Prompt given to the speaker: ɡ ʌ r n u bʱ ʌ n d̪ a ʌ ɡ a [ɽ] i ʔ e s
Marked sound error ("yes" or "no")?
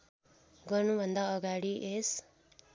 no